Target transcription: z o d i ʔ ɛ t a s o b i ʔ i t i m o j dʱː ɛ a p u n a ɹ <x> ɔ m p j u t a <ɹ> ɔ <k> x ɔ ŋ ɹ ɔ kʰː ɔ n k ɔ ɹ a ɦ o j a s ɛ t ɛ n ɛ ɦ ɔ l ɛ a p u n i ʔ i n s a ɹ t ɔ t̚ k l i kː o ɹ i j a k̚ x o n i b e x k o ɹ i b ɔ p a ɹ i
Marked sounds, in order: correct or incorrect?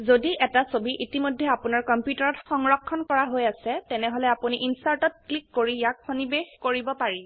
incorrect, correct, incorrect

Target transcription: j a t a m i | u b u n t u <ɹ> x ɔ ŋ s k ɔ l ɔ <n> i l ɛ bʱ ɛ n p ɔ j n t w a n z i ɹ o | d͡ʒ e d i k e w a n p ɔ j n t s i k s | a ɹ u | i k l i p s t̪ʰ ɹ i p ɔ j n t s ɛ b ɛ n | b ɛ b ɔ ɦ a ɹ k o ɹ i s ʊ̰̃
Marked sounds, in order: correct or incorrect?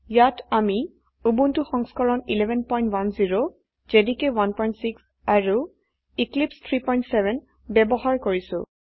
incorrect, correct

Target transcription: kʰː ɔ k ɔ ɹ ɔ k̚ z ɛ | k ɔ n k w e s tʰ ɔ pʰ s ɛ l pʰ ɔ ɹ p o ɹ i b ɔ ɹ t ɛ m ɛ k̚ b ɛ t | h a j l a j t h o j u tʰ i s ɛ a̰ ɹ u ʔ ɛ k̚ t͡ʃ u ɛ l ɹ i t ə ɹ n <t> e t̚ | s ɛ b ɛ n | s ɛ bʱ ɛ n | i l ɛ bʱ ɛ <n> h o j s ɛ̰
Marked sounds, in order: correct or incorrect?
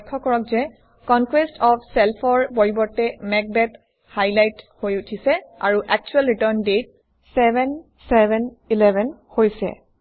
incorrect, correct

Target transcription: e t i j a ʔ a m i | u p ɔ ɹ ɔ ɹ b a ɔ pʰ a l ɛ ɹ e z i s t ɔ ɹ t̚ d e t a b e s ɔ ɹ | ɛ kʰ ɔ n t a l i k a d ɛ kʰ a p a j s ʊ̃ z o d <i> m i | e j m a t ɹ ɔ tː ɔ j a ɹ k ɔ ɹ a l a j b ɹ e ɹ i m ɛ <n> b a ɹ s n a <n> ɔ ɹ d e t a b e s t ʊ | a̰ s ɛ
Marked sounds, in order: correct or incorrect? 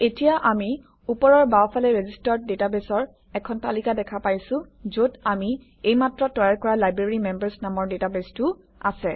incorrect, incorrect, incorrect

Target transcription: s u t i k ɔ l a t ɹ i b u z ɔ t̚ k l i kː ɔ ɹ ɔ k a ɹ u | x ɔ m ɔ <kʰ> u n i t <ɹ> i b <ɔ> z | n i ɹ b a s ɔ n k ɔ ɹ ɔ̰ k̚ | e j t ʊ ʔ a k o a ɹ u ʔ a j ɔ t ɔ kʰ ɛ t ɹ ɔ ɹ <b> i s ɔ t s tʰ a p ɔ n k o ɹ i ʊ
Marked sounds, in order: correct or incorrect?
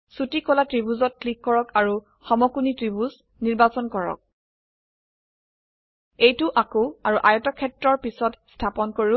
incorrect, correct, incorrect, incorrect

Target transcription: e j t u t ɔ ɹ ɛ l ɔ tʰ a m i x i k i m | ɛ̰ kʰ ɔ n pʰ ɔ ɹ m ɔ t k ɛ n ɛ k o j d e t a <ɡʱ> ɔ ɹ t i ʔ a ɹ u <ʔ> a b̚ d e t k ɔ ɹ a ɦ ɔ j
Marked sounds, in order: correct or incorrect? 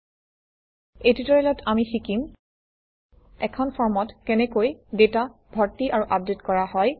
incorrect, correct

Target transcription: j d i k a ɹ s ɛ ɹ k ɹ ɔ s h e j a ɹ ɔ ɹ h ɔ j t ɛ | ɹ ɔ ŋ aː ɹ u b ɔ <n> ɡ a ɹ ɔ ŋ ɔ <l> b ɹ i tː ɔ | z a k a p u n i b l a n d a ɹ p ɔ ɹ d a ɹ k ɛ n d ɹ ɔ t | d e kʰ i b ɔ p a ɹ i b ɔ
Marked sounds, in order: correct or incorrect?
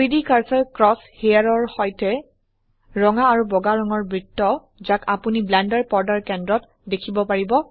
incorrect, incorrect

